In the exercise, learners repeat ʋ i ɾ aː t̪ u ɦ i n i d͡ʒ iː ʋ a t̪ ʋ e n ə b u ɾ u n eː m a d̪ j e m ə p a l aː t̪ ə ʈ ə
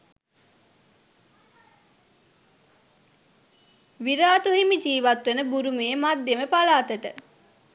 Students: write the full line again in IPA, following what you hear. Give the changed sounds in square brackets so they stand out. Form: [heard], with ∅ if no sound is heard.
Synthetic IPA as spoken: ʋ i ɾ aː t̪ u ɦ i [m] i d͡ʒ iː ʋ a t̪ ʋ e n ə b u ɾ u [m] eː m a d̪ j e m ə p a l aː t̪ ə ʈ ə